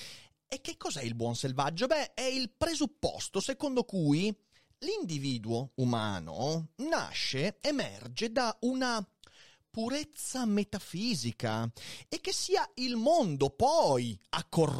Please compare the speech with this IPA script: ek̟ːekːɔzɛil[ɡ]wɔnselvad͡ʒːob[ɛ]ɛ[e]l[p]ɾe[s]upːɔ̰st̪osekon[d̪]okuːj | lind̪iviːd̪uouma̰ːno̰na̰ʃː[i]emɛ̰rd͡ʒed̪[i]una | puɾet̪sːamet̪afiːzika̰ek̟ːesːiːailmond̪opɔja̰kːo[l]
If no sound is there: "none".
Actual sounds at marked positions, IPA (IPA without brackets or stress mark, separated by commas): b, ɛ, i, p, z, d̪, e, a, r